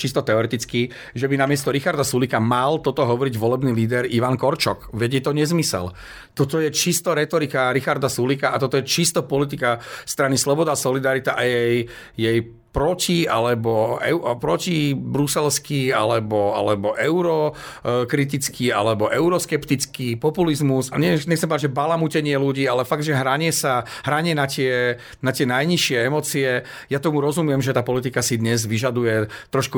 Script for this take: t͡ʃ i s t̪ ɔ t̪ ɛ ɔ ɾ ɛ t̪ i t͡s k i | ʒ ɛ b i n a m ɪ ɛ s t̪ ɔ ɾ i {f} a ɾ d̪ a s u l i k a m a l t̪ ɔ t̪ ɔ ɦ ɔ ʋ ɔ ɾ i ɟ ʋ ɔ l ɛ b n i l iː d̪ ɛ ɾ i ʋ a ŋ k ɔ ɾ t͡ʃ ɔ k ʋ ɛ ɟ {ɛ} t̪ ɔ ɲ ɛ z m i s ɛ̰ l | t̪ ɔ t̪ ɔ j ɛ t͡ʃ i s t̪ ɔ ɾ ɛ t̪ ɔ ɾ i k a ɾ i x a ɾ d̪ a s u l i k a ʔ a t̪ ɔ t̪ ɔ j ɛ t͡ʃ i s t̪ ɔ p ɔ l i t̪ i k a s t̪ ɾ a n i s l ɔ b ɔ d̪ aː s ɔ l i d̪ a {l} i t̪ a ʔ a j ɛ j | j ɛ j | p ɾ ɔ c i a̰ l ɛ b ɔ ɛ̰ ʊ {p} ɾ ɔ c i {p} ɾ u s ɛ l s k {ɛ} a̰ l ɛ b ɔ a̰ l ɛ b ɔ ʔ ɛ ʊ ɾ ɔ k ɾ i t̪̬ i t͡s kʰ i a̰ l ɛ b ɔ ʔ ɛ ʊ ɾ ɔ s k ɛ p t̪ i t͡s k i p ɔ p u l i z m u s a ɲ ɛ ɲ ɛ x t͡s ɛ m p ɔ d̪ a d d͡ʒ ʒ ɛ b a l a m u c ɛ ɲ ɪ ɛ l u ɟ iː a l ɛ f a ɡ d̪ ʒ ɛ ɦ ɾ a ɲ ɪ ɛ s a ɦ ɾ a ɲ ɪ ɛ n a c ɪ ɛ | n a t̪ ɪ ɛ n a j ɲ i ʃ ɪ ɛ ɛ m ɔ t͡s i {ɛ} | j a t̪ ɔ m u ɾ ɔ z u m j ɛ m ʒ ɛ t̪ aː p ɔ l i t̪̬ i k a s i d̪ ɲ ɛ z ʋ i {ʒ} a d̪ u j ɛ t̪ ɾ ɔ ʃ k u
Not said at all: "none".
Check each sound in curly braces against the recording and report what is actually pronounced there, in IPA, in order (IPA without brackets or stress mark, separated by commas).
x, ɛ, ɾ, p, b, i, ɛ, ʒ